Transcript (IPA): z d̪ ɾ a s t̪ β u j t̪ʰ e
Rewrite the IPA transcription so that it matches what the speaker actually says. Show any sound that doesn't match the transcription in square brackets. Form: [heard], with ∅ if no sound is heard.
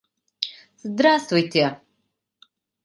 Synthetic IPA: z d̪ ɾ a s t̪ [v] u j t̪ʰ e